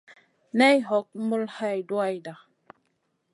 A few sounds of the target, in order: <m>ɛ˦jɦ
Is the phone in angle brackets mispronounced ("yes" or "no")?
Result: yes